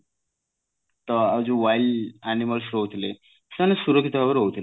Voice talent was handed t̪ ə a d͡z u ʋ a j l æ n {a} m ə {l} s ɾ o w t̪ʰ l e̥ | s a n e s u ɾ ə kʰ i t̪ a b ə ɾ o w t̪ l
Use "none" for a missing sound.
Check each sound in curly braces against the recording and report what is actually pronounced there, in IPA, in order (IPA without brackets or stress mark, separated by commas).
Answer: i, l